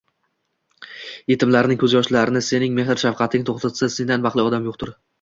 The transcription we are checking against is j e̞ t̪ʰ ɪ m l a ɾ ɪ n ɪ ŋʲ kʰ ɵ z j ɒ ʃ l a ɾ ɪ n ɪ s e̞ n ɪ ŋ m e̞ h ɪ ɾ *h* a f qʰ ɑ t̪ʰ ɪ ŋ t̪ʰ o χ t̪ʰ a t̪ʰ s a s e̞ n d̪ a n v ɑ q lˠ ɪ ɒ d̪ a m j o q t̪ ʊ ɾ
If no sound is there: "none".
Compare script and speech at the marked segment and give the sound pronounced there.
ʃ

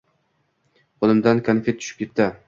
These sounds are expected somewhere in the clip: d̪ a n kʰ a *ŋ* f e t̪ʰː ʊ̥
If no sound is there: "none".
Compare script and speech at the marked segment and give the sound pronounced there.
n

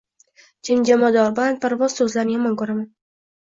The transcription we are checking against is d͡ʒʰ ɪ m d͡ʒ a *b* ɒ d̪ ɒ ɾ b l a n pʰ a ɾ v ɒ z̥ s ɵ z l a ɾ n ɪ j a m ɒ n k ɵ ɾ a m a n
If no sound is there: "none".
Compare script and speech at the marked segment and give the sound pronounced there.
m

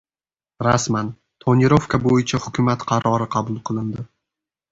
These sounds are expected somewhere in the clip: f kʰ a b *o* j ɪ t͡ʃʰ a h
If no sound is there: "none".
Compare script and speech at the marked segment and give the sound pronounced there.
o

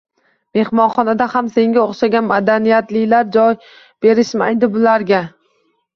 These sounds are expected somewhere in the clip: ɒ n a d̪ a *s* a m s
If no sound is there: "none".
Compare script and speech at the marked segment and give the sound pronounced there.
h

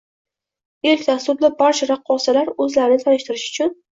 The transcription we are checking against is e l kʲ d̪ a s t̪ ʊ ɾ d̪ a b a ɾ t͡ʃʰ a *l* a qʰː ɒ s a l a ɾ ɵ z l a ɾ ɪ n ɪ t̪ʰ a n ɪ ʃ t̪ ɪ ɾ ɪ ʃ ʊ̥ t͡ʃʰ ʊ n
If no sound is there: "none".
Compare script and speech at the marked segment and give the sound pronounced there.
ɾ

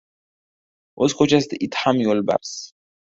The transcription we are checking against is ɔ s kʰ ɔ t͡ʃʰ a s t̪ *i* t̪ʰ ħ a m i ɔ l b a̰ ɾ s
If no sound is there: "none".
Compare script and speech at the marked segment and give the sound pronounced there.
i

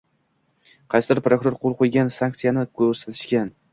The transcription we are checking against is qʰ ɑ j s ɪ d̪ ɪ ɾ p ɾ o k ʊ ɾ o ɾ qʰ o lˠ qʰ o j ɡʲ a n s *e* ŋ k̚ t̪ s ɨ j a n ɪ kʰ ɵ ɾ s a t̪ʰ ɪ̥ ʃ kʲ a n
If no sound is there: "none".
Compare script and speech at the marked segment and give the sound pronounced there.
a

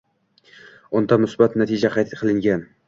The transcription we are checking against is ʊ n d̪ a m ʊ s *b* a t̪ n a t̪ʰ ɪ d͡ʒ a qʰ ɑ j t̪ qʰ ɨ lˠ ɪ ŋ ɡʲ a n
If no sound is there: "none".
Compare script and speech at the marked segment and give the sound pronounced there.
b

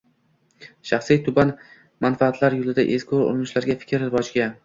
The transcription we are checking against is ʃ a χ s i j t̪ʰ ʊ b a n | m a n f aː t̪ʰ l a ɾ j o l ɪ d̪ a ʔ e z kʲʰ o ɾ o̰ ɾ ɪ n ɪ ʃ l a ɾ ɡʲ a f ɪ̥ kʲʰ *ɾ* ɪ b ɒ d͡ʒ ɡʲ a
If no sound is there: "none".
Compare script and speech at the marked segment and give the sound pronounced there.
ɾ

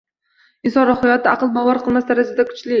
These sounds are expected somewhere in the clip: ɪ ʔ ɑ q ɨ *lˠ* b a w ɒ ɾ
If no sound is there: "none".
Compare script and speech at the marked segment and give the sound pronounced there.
lˠ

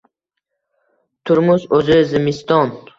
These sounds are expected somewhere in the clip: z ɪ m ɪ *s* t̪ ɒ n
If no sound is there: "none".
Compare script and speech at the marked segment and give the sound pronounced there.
s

